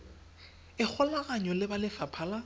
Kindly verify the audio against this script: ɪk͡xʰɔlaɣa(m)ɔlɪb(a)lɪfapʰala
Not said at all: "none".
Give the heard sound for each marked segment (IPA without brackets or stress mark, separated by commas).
ɲ, a